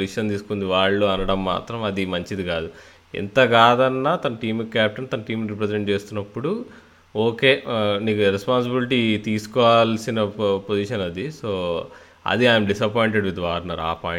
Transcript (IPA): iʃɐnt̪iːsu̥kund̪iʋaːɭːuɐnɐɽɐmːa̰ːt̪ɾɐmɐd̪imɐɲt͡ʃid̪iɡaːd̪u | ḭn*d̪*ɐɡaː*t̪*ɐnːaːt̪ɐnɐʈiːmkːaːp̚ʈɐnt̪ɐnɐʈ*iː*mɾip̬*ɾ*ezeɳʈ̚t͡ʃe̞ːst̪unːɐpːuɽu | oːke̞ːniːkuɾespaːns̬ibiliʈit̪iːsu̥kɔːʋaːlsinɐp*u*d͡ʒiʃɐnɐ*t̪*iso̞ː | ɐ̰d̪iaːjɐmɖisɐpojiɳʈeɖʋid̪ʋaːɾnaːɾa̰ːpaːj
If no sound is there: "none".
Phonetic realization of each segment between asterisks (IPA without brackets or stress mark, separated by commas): t̪, d̪, iː, ɾ, o, d̪